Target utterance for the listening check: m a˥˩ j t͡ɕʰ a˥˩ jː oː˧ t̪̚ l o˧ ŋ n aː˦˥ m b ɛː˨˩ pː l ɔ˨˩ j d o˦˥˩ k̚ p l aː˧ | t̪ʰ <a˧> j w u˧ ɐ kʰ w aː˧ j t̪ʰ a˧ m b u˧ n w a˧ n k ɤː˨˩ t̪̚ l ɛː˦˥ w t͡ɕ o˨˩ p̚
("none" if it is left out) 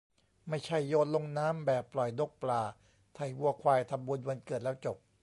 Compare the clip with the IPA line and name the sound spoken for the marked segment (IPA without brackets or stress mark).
a˨˩